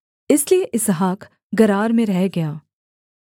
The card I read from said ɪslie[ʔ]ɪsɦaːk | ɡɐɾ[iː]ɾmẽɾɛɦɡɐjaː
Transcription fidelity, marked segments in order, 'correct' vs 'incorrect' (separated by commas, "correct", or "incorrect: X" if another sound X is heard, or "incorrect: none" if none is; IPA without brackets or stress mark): correct, incorrect: aː